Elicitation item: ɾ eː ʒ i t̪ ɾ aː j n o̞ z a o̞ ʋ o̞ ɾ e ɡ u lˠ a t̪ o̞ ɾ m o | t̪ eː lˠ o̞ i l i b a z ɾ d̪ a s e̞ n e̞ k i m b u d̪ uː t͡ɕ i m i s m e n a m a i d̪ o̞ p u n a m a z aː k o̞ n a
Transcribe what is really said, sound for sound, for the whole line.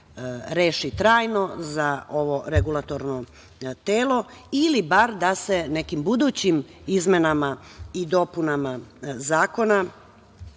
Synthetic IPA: ɾ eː ʃ i t̪ ɾ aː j n o̞ z a o̞ ʋ o̞ ɾ e ɡ u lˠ a t̪ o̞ ɾ n o | t̪ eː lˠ o̞ i l i b a ɾ d̪ a s e̞ n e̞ k i m b u d̪ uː t͡ɕ i m i z m e n a m a i d̪ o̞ p u n a m a z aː k o̞ n a